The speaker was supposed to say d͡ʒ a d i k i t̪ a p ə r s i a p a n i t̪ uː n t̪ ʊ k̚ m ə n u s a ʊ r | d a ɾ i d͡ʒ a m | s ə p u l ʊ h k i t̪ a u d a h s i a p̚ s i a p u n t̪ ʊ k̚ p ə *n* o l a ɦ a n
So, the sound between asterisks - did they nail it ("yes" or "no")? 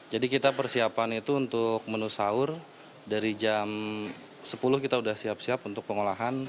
no